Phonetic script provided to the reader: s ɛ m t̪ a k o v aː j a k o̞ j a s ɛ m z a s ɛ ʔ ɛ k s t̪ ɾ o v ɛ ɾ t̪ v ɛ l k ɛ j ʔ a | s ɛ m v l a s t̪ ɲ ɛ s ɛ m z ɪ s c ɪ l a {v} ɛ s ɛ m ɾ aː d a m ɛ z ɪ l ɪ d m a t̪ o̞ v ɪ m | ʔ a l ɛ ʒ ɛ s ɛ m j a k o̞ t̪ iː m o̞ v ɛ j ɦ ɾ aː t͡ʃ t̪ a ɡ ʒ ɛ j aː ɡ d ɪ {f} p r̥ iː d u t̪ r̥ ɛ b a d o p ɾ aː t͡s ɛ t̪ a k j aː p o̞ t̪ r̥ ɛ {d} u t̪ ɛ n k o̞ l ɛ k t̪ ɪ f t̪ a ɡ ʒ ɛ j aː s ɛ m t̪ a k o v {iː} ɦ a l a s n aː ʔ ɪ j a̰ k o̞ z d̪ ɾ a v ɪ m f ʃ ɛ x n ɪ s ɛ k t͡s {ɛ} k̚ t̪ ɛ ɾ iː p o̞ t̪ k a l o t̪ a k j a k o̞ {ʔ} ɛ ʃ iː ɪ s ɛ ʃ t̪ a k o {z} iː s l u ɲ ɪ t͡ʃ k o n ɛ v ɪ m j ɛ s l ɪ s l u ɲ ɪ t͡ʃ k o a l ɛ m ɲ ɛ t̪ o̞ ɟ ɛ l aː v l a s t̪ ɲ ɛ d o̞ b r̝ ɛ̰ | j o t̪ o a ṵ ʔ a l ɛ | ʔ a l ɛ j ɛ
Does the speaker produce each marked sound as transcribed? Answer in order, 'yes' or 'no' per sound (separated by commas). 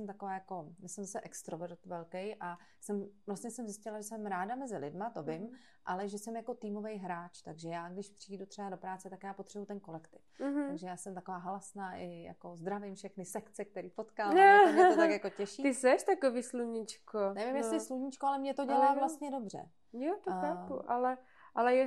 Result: no, no, no, no, yes, no, no